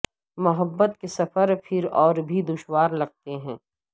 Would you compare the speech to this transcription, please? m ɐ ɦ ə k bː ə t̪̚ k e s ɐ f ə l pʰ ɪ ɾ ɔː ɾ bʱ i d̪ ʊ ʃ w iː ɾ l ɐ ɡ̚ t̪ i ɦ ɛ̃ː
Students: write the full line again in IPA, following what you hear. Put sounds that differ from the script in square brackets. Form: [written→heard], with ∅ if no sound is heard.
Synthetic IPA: m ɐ ɦ ə [k→∅] bː ə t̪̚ k e s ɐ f ə [l→ɾ] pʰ ɪ ɾ ɔː ɾ bʱ i d̪ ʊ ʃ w [iː→aː] ɾ l ɐ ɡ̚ t̪ [i→e] ɦ ɛ̃ː